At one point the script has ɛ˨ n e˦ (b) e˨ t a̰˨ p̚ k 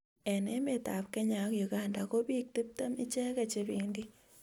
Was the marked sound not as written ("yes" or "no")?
yes